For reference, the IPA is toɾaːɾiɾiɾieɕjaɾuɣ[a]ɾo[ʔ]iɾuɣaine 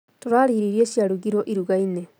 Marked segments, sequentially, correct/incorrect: incorrect: i, correct

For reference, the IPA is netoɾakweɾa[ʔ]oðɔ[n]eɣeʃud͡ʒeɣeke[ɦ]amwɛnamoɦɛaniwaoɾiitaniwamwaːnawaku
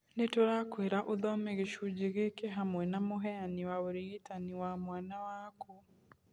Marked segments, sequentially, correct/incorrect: correct, incorrect: m, correct

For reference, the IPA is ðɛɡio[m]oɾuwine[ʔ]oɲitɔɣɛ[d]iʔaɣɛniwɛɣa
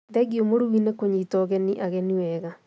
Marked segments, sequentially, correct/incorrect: correct, incorrect: k, incorrect: n

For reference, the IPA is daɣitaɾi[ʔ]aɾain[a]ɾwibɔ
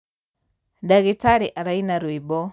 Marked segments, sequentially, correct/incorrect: correct, correct

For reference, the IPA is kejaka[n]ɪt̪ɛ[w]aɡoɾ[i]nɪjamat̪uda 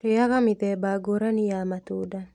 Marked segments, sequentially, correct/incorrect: incorrect: m, incorrect: b, incorrect: a

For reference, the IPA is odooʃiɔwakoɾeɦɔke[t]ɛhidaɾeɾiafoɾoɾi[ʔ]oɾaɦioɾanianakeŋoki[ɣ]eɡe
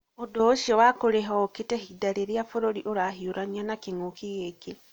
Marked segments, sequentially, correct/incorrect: correct, correct, correct

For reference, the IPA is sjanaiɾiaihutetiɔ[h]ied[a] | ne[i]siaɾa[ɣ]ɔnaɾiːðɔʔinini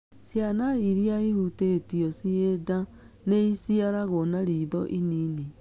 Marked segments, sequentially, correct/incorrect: incorrect: s, correct, correct, correct

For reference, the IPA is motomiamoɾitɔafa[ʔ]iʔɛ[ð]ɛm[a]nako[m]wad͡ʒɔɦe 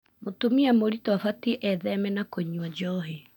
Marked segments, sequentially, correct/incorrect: incorrect: t, correct, incorrect: ɛ, incorrect: ɲ

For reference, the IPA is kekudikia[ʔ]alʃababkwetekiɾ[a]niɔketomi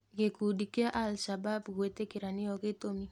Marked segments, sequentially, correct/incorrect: correct, correct

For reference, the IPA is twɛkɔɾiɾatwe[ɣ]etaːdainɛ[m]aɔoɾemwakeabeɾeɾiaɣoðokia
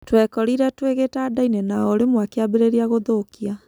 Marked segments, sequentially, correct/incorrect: correct, incorrect: n

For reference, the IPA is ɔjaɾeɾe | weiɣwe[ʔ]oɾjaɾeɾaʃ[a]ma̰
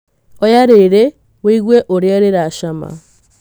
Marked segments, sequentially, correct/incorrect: correct, correct

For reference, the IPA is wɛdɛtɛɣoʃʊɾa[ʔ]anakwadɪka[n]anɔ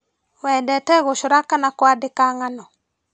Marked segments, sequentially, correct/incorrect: incorrect: k, incorrect: ŋ

